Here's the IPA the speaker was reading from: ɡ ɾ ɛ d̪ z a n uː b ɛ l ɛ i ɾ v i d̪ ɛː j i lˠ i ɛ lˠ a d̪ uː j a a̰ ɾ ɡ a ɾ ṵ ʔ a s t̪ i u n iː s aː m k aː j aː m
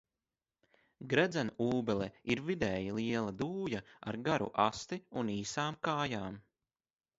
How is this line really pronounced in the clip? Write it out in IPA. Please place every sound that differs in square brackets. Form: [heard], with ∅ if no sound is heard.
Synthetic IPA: ɡ ɾ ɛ d̪ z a n uː b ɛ l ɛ i ɾ v i d̪ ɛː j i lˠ i ɛ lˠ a d̪ uː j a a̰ ɾ ɡ a ɾ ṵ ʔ a s t̪ i u n iː s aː m k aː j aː m